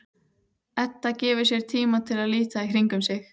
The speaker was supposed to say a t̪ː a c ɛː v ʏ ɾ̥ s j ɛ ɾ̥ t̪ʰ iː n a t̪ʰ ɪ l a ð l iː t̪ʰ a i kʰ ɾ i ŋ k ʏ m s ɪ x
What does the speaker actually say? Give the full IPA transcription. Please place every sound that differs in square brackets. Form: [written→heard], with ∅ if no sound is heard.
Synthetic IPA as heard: [a→ɛ] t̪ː a c ɛː v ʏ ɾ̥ s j ɛ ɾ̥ t̪ʰ iː [n→m] a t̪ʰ ɪ l a ð l iː [t̪ʰ→t̪] a i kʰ ɾ i ŋ k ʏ m s ɪ x